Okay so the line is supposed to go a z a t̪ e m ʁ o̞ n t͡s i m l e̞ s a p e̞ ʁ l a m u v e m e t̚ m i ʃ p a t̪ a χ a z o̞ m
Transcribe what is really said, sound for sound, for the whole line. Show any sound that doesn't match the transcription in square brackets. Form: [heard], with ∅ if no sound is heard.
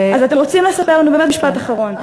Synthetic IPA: a z a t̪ e m ʁ o̞ [∅] t͡s i m l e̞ s a p e̞ ʁ l a [n] u [b] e m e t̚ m i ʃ p a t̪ a χ a [ʁ] o̞ [n]